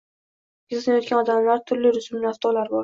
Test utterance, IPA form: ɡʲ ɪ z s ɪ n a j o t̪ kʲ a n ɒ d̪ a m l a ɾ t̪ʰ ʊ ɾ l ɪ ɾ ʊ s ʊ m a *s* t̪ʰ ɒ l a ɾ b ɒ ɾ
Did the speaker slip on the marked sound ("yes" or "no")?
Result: yes